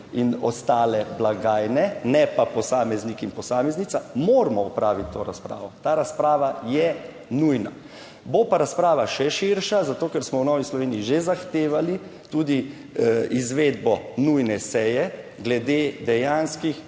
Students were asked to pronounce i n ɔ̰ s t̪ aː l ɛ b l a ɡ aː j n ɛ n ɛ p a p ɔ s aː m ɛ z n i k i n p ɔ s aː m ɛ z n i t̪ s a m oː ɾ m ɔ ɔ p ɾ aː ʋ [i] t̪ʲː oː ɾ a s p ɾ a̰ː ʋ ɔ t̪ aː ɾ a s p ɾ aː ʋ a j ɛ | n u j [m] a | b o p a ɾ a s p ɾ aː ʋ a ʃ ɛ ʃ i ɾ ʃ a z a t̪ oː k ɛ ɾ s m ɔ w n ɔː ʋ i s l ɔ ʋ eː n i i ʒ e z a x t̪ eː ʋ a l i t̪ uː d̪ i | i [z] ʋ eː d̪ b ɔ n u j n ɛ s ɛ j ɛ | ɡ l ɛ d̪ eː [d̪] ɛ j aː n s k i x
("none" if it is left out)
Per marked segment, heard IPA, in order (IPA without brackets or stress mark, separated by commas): i, n, z, d̪